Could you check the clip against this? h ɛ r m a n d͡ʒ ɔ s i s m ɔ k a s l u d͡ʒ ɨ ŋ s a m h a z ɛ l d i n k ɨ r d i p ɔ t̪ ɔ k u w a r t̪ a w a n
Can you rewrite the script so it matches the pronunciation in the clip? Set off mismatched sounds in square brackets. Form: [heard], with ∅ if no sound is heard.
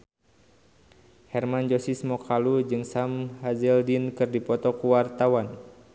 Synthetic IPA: h ɛ r m a n d͡ʒ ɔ s i s m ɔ k a [∅] l u d͡ʒ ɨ ŋ s a m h a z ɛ l d i n k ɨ r d i p ɔ t̪ ɔ k u w a r t̪ a w a n